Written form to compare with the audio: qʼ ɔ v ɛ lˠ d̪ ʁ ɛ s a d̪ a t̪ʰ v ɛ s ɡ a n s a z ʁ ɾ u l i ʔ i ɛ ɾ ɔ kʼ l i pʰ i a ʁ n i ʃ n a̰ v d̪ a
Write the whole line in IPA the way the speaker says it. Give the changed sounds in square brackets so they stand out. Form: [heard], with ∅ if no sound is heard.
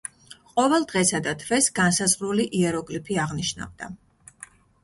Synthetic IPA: qʼ ɔ v ɛ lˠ d̪ ʁ ɛ s a d̪ a t̪ʰ v ɛ s ɡ a n s a z ʁ ɾ u l i ʔ i ɛ ɾ ɔ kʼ l i pʰ i a ʁ n i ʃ n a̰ v d̪ a